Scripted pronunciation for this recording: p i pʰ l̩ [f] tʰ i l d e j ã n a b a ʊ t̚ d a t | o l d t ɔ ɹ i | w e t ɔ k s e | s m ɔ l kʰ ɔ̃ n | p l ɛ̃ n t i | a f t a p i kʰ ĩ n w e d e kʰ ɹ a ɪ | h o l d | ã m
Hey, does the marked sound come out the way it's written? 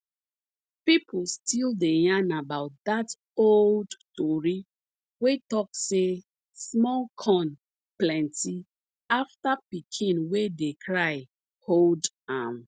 no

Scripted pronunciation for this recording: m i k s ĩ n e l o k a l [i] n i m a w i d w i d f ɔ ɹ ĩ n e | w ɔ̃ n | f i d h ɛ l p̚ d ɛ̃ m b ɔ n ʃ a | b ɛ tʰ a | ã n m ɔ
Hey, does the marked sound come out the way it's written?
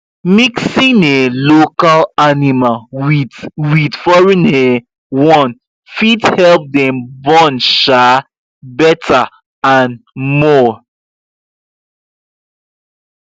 no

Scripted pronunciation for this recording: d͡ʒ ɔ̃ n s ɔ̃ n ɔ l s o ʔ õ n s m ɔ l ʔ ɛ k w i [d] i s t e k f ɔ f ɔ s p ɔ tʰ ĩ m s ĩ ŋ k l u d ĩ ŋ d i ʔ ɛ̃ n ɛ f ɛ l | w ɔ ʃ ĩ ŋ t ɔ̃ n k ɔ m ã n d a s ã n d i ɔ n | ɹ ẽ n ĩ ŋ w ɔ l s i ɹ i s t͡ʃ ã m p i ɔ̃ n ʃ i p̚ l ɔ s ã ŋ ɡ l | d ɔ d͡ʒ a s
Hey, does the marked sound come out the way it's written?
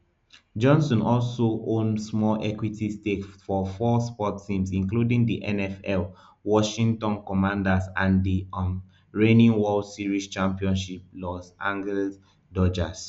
no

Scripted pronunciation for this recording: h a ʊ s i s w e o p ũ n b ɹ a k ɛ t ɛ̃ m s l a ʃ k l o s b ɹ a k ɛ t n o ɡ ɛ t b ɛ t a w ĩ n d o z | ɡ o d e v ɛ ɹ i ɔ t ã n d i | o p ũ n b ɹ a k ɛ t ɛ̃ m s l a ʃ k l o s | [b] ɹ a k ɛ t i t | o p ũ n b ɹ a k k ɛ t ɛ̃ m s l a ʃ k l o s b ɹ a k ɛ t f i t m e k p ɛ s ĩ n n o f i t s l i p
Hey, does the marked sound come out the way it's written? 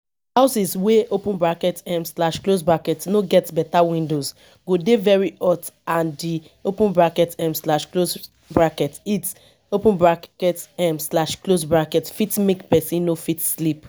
yes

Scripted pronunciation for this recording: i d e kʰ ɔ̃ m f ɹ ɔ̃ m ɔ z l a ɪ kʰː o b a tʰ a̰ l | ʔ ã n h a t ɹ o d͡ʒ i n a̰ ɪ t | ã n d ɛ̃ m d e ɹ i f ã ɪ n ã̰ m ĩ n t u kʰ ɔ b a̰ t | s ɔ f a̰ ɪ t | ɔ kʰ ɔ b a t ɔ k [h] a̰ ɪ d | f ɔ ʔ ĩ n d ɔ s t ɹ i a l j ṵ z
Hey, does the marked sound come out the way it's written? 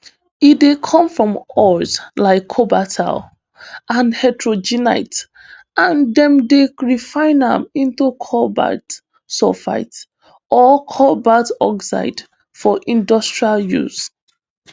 no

